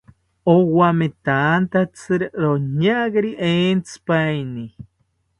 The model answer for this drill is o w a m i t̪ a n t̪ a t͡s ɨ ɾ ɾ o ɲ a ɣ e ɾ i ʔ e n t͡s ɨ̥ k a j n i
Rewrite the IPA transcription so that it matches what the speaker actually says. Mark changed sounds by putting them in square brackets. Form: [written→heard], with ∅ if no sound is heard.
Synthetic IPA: o w a m [i→e] t̪ a n t̪ a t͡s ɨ ɾ ɾ o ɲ a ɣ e ɾ i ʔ e n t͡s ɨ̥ [k→p] a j n i